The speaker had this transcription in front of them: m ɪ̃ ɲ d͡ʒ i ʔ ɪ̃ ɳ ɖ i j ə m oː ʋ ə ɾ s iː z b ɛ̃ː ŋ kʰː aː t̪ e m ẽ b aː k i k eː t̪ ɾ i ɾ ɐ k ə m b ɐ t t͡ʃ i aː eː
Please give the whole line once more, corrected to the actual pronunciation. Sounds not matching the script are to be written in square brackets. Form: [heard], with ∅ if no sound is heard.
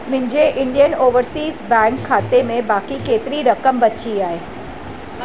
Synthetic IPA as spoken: m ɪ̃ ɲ d͡ʒ [e] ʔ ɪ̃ ɳ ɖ i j ə [n] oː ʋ ə ɾ s iː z b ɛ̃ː ŋ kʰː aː t̪ e m ẽ b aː k i k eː t̪ ɾ i ɾ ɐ k ə m b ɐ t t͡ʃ i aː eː